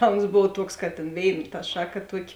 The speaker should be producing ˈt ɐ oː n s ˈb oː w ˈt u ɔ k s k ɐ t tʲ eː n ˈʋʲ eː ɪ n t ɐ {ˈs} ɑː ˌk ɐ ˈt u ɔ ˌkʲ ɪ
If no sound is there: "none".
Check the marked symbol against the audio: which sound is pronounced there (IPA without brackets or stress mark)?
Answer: ʃ